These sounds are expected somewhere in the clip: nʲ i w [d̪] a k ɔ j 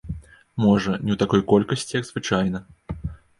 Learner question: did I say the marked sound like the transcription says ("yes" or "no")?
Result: no